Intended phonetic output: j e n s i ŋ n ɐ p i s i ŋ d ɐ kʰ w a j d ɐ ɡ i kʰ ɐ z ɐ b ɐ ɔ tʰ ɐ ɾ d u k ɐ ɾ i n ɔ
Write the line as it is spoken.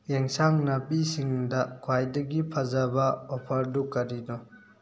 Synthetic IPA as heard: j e ŋ s a ŋ n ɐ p i s i ŋ d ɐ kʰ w a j d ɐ ɡ i pʰ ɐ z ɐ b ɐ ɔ pʰ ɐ ɾ d u k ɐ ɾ i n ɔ

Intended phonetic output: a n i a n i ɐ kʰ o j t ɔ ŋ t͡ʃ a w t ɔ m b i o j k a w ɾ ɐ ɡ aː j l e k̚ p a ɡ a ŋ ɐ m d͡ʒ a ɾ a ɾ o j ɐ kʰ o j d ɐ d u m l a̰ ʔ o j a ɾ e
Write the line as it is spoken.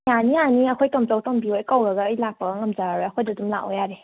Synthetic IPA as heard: a n i a n i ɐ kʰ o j t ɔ m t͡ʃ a w t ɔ m b i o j k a w ɾ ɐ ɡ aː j l a k̚ p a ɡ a ŋ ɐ m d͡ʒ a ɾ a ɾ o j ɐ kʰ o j d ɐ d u m l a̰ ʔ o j a ɾ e

